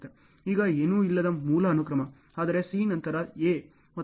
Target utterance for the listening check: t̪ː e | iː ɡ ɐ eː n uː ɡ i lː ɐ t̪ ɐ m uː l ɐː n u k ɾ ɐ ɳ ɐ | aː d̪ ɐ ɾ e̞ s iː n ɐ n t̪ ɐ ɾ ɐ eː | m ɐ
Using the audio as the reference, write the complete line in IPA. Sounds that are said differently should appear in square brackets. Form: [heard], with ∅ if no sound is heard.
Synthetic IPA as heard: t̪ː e | iː ɡ ɐ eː n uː [∅] i lː ɐ [d̪] ɐ m uː l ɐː n u k ɾ ɐ [m] ɐ | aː d̪ ɐ ɾ e̞ s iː n ɐ n t̪ ɐ ɾ ɐ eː | m ɐ